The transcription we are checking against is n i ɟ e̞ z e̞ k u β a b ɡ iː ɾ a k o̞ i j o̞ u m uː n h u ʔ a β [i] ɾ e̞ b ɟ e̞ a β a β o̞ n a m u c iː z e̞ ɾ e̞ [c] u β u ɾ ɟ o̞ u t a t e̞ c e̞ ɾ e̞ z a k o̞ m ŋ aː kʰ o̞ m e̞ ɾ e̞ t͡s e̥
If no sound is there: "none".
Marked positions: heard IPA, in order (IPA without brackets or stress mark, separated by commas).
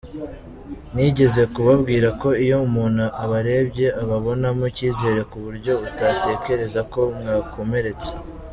a, k